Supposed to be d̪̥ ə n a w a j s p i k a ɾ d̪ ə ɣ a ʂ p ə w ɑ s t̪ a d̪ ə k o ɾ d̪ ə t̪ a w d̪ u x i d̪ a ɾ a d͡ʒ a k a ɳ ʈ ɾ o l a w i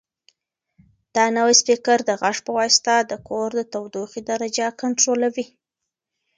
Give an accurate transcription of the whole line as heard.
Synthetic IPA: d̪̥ ɑ n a w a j s p i k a ɾ d̪ ə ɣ a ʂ p ə w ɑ s t̪ a d̪ ə k o ɾ d̪ ə t̪ a w d̪ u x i d̪ a ɾ a d͡ʒ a k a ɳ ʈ ɾ o l a w i

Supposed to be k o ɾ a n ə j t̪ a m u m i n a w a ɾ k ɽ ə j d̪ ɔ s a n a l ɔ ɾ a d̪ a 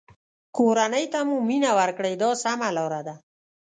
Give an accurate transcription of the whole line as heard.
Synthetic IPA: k o ɾ a n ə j t̪ a m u m i n a w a ɾ k ɽ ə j d̪ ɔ s a m a l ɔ ɾ a d̪ a

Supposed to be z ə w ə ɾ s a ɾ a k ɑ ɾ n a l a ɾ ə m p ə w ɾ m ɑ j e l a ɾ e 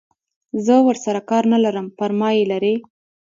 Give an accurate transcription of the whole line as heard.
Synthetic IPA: z ə w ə ɾ s a ɾ a k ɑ ɾ n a l a ɾ ə m p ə ɾ m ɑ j e l a ɾ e

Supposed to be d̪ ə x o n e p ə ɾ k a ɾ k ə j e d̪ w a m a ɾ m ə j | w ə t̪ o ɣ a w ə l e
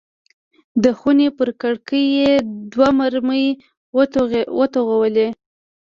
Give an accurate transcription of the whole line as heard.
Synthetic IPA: d̪ ə x u n e p ə ɾ k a ɽ k ə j e d̪ w a m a ɾ m ə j | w ə t̪ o ɣ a w ə l e

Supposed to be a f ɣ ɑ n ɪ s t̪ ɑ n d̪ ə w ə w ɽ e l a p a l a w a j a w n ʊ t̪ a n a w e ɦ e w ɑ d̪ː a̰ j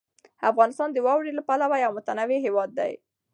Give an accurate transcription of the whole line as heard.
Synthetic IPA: a f ɣ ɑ n ɪ s t̪ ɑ n d̪ ə w ɑ w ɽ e l a p a l a w a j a w m ʊ t̪ a n a w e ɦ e w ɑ d̪ː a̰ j

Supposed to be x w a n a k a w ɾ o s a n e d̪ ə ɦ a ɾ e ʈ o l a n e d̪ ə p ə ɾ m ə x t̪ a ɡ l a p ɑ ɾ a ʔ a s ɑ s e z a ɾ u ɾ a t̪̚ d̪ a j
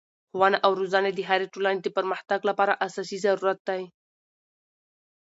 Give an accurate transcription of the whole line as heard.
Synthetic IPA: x w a n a ʔ a w ɾ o z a n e d̪ ə ɦ a ɾ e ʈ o l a n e d̪ ə p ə ɾ m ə x t̪ a ɡ l a p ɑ ɾ a ʔ a s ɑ s i z a ɾ u ɾ a t̪̚ d̪ a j

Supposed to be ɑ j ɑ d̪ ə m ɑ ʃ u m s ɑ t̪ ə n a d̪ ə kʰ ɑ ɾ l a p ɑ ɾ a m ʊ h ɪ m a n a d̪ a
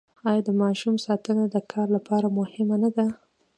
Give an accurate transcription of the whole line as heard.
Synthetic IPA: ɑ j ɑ d̪ ə m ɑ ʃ u m s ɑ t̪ ə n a d̪ ə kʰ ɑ ɾ l a p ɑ ɾ a m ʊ h ɪ m a n a d̪ a

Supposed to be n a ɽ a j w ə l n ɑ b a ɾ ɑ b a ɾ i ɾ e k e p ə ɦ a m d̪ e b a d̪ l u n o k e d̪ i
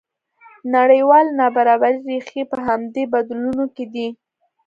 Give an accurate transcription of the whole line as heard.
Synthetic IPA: n a ɽ ə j w ɑ l n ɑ b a ɾ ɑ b a ɾ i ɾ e x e p ə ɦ a m d̪ e b a d̪ l u n o k e d̪ i

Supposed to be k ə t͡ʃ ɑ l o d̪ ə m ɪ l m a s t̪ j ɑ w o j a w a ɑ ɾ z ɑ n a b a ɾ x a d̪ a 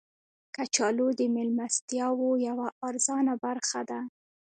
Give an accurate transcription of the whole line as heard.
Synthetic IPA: k a t͡ʃ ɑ l o d̪ ə m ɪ l m a s t̪ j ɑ w o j a w a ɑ ɾ z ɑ n a b a ɾ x a d̪ a

